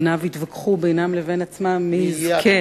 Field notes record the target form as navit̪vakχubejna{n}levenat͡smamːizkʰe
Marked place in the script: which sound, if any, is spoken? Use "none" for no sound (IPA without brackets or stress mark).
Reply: m